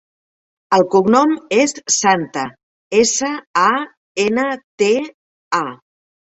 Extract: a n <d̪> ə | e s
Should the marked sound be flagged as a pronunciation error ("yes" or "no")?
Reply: yes